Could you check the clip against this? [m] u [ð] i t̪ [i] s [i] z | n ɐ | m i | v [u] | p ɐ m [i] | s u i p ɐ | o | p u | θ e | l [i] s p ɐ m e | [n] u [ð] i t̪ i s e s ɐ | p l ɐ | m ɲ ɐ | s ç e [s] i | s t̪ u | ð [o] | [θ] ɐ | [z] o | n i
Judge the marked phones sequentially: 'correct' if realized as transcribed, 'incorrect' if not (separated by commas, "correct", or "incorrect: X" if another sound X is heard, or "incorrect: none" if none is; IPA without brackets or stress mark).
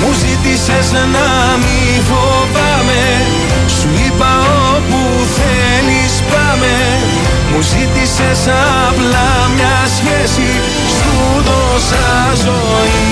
correct, incorrect: z, correct, incorrect: e, incorrect: o, incorrect: e, correct, incorrect: m, incorrect: z, correct, correct, incorrect: s, correct